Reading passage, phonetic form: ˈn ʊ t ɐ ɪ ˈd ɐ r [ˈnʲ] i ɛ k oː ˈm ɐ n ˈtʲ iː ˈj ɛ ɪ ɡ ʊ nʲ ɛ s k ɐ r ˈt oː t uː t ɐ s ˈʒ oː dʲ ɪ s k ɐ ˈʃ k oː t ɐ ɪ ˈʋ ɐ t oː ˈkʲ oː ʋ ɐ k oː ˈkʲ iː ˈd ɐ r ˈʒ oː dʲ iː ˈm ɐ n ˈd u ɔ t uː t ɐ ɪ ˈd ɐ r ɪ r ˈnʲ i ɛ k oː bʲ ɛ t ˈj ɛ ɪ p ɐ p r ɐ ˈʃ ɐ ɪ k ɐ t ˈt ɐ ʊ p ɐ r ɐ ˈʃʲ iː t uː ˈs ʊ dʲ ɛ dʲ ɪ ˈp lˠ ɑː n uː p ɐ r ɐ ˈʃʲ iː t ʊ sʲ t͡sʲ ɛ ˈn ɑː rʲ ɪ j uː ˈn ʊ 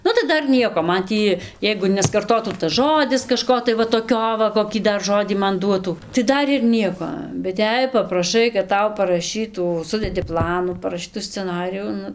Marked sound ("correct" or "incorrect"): correct